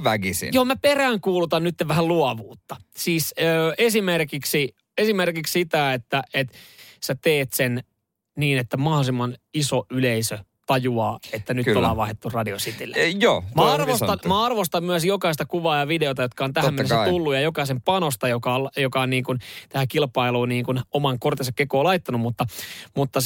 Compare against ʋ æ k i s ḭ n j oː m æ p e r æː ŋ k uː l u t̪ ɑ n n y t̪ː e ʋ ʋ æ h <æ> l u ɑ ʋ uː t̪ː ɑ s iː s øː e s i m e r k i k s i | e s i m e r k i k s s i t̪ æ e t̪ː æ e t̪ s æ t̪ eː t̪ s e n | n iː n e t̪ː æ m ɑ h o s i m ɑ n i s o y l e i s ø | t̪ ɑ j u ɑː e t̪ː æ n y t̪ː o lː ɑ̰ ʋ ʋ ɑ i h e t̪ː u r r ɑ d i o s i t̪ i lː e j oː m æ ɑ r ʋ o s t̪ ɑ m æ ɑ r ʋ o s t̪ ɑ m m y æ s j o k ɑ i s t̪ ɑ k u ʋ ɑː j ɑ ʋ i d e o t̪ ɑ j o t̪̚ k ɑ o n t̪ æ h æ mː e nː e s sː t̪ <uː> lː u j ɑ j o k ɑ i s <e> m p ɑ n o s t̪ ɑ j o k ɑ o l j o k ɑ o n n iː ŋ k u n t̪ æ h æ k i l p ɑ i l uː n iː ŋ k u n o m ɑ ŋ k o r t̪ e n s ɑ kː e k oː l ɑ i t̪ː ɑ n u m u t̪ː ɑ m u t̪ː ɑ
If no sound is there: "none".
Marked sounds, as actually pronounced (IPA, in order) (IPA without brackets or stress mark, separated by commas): æ, u, e